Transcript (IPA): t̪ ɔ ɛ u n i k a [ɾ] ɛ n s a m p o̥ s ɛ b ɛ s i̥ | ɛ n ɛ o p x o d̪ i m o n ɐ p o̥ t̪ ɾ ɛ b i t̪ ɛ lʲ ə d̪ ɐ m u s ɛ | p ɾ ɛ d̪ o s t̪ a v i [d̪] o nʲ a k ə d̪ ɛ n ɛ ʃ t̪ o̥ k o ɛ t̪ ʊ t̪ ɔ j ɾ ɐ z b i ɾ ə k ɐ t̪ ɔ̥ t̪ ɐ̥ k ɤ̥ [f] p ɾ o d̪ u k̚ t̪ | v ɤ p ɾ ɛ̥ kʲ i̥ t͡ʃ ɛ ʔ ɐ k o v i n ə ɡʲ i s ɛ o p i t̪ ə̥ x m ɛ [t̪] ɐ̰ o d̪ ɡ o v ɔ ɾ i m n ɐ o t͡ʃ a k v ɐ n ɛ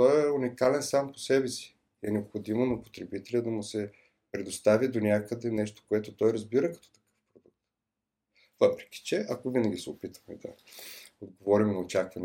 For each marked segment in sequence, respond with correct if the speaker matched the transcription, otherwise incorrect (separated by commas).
incorrect, correct, correct, incorrect